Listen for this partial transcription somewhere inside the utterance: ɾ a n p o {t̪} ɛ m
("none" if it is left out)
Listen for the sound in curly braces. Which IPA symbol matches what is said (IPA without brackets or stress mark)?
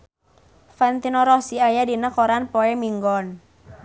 none